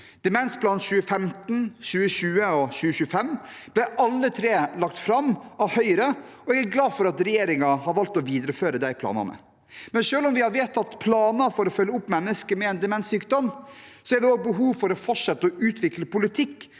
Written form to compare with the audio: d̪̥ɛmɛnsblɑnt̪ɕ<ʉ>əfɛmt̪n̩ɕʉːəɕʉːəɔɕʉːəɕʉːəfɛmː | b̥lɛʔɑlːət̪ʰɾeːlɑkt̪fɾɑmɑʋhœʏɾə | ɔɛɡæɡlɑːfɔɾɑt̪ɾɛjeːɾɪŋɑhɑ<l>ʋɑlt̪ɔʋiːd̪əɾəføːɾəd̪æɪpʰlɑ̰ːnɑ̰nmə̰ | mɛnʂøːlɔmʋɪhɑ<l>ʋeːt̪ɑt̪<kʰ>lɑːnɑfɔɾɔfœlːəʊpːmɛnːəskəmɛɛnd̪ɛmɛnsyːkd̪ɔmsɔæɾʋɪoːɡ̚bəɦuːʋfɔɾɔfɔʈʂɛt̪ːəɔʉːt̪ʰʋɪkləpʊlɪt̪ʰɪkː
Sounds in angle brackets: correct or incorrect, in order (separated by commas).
incorrect, incorrect, incorrect, incorrect